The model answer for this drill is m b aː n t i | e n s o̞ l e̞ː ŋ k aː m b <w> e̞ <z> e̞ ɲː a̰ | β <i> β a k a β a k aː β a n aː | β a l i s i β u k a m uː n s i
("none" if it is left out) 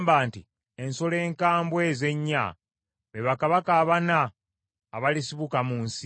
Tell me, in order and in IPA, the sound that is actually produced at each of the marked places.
w, z, e

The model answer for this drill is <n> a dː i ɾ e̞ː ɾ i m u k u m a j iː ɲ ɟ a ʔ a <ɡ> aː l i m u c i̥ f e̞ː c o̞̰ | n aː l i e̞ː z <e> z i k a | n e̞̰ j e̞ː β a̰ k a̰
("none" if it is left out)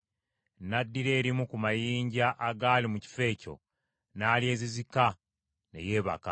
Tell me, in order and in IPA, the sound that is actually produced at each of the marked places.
n, ɡ, i

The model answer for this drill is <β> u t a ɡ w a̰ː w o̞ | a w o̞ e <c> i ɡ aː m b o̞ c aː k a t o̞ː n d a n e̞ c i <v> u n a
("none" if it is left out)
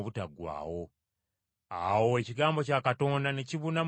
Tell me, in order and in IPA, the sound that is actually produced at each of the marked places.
β, c, β

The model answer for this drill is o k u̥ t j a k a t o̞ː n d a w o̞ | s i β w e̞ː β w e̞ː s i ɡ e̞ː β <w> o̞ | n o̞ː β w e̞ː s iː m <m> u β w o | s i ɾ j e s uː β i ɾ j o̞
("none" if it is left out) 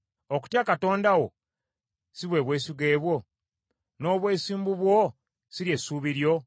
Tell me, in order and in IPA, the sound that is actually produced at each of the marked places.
w, b

